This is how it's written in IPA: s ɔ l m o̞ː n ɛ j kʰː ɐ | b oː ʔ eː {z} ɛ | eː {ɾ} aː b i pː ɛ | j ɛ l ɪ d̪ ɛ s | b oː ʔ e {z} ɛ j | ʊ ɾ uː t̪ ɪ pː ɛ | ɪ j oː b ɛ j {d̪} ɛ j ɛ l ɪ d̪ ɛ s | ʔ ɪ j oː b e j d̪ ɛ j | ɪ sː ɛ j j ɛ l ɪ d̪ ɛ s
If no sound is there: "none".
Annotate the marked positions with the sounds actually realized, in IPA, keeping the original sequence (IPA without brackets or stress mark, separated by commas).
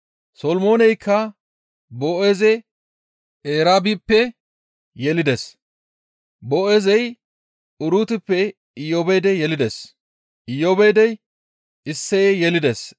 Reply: z, ɾ, z, d̪